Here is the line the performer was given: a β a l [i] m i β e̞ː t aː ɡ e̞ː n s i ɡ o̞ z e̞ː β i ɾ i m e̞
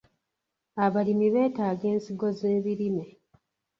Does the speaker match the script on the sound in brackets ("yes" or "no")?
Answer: yes